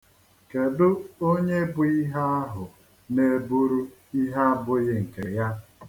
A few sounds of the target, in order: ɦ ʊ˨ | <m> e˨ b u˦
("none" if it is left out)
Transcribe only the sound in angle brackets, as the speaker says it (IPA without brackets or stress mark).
n